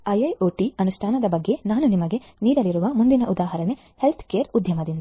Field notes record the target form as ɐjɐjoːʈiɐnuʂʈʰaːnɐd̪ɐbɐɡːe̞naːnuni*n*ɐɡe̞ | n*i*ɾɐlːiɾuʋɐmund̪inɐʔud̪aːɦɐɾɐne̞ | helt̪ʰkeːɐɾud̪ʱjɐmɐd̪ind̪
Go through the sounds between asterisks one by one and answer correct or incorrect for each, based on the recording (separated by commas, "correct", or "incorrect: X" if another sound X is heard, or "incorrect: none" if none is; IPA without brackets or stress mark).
incorrect: m, incorrect: iː